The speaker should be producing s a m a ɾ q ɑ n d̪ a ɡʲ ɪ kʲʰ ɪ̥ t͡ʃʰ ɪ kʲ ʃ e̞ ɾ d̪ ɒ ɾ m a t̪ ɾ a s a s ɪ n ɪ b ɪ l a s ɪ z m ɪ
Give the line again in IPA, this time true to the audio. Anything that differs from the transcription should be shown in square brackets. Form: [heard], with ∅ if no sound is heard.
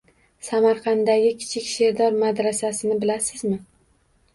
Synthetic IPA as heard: s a m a ɾ q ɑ n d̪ a ɡʲ ɪ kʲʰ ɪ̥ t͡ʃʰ ɪ kʲ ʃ e̞ ɾ d̪ ɒ ɾ m a [d̪] ɾ a s a s ɪ n ɪ b ɪ l a s ɪ z m ɪ

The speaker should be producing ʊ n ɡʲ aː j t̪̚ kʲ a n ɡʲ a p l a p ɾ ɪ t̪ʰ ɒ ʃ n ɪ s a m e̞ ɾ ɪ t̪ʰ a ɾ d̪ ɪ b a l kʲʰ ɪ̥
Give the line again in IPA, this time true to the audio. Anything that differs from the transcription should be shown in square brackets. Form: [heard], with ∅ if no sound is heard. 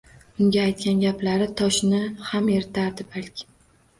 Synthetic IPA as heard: ʊ [ŋ] ɡʲ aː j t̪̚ kʲ a n ɡʲ a p l a [∅] ɾ ɪ t̪ʰ ɒ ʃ n ɪ [h] a m e̞ ɾ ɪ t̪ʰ a ɾ d̪ ɪ b a l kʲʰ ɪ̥

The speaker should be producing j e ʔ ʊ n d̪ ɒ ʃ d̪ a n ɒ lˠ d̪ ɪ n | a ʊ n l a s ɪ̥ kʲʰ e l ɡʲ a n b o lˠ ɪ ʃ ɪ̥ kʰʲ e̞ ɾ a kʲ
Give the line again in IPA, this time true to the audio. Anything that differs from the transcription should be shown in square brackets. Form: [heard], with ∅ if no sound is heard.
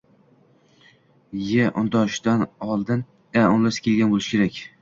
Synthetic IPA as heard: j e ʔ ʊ n d̪ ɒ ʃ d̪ a n ɒ lˠ d̪ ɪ n | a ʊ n l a s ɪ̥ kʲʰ e l ɡʲ a n b o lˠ ɪ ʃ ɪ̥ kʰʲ e̞ ɾ a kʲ

